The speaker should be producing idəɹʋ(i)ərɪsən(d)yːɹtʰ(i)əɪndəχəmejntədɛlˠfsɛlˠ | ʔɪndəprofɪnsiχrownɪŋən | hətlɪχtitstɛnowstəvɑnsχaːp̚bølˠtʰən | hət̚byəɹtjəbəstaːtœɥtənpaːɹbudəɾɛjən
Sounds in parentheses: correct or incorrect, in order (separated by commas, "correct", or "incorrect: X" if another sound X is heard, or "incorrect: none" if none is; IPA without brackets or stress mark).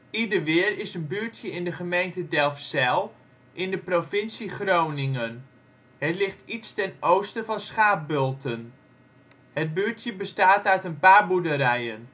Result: incorrect: ɪ, incorrect: b, incorrect: j